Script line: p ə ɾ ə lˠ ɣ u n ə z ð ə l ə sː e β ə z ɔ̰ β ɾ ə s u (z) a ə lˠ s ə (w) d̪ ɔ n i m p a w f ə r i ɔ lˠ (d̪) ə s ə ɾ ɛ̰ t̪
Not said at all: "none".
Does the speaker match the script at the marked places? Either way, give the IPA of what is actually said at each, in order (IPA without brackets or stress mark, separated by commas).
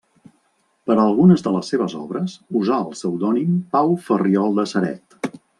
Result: z, w, d̪